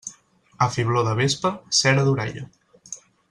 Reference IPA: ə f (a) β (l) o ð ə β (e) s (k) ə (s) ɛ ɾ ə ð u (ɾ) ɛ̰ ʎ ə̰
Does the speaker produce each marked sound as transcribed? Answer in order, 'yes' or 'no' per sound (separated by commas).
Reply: no, yes, yes, no, yes, yes